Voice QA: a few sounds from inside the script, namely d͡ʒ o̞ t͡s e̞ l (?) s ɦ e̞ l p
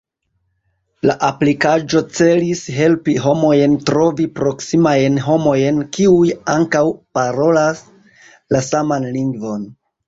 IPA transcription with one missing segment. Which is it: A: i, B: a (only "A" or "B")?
A